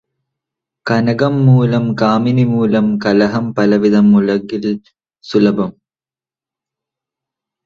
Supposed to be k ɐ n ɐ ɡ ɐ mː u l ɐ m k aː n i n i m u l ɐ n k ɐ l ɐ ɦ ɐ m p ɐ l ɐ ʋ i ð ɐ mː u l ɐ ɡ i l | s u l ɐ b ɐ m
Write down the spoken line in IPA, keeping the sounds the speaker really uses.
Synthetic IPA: k ɐ n ɐ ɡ ɐ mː uː l ɐ m k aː m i n i m uː l ɐ m k ɐ l ɐ ɦ ɐ m p ɐ l ɐ ʋ i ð ɐ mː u l ɐ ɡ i l | s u l ɐ b ɐ m